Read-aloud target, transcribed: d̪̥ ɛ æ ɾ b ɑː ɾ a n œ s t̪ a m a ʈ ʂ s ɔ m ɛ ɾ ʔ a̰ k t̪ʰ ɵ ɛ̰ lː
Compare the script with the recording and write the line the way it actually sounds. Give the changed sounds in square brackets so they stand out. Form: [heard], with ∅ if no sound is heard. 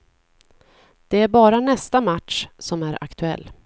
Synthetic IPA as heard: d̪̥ ɛ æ ɾ b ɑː ɾ a n [ɛ] s t̪ a m a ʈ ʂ s ɔ m [æ] ɾ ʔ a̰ k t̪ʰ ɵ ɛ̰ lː